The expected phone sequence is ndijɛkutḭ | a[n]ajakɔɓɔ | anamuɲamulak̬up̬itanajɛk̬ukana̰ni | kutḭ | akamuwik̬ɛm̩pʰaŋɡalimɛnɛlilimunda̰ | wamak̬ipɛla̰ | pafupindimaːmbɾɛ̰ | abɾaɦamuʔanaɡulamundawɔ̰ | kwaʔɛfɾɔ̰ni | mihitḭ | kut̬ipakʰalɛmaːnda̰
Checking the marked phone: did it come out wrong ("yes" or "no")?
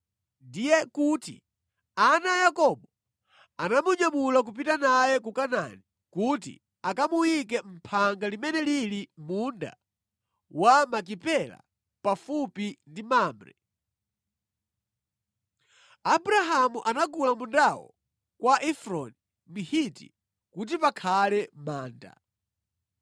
no